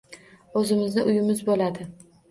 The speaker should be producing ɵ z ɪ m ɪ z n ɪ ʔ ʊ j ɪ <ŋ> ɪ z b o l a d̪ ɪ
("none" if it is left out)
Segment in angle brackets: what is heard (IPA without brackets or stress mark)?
m